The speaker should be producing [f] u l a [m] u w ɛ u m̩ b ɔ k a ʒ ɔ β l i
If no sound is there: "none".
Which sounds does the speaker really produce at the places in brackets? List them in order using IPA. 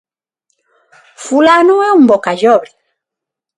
f, n

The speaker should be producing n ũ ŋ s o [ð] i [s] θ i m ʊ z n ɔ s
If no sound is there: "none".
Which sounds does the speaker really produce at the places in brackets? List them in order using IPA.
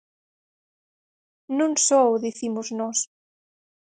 ð, none

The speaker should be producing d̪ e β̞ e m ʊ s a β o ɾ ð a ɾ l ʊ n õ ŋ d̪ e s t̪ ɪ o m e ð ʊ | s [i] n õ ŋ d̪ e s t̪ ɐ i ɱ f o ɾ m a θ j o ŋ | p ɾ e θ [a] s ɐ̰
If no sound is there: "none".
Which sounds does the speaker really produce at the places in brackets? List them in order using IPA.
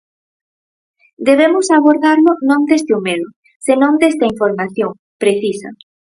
e, i

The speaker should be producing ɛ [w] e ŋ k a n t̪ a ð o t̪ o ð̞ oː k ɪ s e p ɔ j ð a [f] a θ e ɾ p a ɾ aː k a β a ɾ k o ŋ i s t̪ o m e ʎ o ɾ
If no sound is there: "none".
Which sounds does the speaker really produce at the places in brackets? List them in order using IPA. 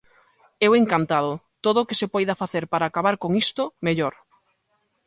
w, f

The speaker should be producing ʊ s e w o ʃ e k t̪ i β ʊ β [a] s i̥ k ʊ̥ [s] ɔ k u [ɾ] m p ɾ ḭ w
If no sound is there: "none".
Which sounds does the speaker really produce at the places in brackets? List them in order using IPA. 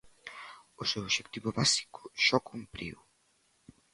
a, ʃ, none

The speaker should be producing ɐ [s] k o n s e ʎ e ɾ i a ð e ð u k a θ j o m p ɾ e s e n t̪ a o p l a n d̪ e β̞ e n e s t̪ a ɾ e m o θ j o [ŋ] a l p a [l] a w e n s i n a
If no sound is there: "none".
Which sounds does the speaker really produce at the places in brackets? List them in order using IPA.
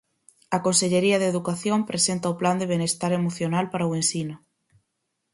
none, n, ɾ

